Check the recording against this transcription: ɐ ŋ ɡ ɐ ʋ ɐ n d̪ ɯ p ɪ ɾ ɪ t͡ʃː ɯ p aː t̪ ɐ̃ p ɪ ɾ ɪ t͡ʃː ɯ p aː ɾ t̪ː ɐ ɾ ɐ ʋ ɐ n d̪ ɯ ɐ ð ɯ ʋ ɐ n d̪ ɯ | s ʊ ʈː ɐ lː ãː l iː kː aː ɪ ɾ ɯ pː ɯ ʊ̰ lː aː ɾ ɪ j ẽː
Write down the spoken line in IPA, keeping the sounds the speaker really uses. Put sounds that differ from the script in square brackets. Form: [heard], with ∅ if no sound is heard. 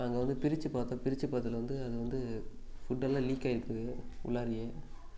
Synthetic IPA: ɐ ŋ ɡ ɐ ʋ ɐ n d̪ ɯ p ɪ ɾ ɪ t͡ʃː ɯ p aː t̪ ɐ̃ p ɪ ɾ ɪ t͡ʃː ɯ p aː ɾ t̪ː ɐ [l] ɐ ʋ ɐ n d̪ ɯ ɐ ð ɯ ʋ ɐ n d̪ ɯ | [f] ʊ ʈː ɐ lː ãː l iː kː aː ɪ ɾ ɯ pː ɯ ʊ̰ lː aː ɾ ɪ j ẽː